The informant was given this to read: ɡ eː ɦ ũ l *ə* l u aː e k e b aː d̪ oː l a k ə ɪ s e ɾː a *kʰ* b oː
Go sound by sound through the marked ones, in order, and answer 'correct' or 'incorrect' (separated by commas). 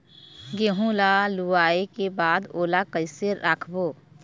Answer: incorrect, correct